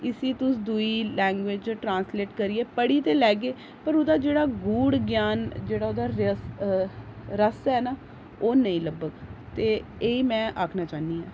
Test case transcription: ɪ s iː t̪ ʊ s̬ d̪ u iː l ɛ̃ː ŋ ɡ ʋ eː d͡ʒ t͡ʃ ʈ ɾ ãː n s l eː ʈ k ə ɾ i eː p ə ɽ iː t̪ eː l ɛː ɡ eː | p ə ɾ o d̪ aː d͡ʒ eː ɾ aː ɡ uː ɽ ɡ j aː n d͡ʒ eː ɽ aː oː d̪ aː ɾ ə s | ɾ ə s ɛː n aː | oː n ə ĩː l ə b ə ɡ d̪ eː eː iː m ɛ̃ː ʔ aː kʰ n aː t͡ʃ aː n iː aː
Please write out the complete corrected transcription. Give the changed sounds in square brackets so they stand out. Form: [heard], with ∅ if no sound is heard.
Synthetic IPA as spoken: ɪ s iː t̪ ʊ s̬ d̪ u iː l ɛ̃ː ŋ ɡ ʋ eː d͡ʒ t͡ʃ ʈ ɾ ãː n s l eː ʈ k ə ɾ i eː p ə ɽ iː t̪ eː l ɛː ɡ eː | p ə ɾ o d̪ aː d͡ʒ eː [ɽ] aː ɡ uː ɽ ɡ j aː n d͡ʒ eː ɽ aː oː d̪ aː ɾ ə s | ɾ ə s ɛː n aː | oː n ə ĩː l ə b ə ɡ [t̪] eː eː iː m ɛ̃ː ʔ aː kʰ n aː t͡ʃ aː n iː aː